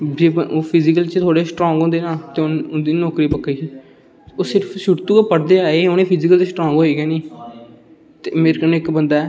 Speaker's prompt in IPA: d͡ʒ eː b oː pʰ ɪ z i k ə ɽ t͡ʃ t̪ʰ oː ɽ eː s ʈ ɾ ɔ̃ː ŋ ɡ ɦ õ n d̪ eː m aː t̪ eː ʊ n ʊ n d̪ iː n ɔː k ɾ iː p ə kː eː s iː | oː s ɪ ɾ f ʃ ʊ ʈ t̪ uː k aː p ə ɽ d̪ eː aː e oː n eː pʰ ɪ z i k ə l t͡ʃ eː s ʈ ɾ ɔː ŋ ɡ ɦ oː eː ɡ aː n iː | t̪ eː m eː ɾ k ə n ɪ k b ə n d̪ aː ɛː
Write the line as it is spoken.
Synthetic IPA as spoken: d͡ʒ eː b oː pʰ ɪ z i k ə l t͡ʃ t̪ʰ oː ɽ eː s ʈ ɾ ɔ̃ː ŋ ɡ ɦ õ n d̪ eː n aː t̪ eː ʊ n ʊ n d̪ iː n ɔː k ɾ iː p ə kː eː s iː | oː s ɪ ɾ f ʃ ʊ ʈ t̪ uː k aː p ə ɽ d̪ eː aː e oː n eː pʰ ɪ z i k ə l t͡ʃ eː s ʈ ɾ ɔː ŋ ɡ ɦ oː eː ɡ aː n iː | t̪ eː m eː ɾ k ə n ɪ k b ə n d̪ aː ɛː